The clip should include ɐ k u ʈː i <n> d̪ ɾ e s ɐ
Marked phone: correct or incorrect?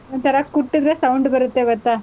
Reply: incorrect